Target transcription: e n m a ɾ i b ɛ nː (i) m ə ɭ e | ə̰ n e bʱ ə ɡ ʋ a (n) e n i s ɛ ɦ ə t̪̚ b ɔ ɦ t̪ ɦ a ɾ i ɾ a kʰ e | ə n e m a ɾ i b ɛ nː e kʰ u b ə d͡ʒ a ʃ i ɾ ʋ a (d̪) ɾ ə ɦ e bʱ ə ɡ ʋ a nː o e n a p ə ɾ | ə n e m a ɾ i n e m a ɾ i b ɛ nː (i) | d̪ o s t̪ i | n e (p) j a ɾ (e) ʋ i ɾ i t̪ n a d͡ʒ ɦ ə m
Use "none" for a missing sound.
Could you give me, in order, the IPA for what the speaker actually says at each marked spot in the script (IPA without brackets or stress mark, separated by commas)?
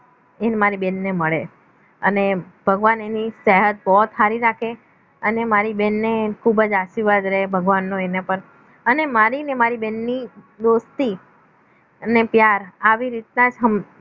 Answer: e, n, d̪, i, p, a